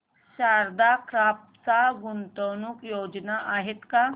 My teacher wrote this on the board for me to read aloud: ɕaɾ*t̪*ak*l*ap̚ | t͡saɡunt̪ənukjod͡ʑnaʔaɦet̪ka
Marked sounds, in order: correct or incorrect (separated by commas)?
incorrect, incorrect